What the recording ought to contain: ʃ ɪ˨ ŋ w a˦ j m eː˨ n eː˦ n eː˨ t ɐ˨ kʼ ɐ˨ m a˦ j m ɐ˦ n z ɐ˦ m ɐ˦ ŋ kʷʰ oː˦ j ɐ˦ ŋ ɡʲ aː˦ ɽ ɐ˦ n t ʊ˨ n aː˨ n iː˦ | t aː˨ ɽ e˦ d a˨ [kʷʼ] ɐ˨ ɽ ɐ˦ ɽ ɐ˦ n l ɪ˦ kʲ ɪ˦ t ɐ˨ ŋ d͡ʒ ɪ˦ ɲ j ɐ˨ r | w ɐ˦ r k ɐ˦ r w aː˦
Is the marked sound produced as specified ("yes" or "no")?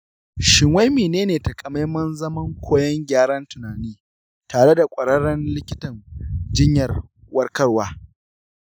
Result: yes